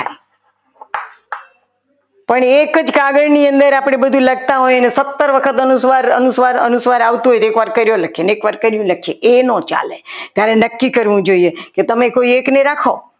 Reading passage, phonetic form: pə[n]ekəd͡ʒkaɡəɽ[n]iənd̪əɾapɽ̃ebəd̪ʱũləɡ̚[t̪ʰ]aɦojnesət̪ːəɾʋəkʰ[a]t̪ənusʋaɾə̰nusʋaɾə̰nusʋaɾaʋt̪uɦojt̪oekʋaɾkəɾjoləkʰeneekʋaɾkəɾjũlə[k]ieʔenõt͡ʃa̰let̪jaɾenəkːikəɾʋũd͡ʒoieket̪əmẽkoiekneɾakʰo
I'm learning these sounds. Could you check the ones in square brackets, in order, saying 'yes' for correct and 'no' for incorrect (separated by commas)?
no, yes, no, no, no